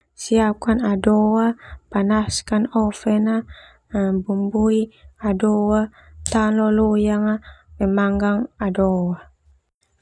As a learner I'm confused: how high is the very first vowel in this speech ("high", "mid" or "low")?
high